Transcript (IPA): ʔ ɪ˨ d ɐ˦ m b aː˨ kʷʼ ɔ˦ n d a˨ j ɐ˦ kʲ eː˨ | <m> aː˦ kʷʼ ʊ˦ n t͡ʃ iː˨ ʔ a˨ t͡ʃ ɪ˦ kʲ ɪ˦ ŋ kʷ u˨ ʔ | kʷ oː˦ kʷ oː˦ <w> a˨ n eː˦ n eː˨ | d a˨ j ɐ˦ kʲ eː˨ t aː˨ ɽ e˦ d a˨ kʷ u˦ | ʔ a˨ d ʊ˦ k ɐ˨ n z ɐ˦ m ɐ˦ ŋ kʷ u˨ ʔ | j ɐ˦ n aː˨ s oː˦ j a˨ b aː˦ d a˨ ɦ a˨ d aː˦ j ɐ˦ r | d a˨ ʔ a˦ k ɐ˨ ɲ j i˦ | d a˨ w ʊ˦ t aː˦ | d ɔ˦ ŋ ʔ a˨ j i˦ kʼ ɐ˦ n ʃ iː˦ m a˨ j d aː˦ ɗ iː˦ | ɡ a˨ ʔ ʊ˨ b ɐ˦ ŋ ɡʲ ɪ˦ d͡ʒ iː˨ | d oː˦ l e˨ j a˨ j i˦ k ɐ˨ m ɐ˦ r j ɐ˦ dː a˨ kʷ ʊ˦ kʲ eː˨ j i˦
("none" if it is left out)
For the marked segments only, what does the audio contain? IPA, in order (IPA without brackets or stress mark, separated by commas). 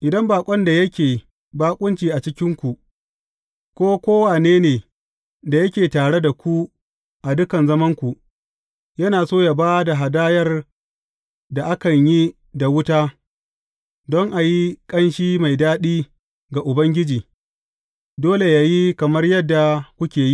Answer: b, w